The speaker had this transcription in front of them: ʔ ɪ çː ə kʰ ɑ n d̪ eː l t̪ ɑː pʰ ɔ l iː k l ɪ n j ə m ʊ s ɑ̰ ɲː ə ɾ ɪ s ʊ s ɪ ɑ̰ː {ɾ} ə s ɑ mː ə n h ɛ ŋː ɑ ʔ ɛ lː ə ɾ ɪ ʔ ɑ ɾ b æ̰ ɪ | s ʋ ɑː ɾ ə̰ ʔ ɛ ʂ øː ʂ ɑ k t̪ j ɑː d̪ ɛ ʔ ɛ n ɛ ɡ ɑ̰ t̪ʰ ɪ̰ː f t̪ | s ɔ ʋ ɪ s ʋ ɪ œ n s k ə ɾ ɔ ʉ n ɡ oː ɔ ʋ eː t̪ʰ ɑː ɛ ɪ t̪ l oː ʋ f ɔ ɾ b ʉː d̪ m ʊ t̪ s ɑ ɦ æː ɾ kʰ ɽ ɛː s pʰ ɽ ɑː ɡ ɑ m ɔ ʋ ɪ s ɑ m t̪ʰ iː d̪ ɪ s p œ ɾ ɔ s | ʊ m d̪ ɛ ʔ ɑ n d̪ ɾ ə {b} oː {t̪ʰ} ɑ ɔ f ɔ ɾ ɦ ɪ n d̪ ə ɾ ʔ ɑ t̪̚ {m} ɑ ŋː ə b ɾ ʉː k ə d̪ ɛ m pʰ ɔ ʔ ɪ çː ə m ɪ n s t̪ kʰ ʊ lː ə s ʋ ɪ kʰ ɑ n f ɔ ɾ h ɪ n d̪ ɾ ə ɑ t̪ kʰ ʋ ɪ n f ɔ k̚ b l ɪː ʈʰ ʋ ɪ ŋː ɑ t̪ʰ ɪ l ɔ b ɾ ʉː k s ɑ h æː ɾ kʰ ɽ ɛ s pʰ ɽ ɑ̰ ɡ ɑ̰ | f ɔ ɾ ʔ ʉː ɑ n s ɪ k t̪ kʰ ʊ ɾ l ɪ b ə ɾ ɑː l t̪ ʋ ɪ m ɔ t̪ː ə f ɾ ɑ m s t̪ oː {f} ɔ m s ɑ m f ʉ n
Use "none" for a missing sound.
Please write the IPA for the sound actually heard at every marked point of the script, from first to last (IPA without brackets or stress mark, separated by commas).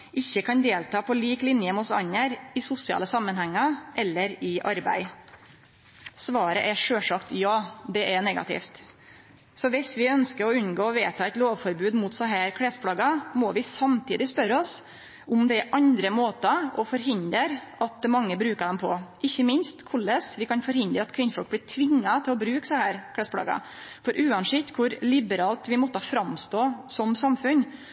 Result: l, m, t̪, m, s